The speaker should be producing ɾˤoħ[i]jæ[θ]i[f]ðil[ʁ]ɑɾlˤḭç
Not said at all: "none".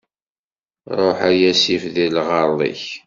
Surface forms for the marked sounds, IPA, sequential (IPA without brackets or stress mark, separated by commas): æ, s, f, ʁ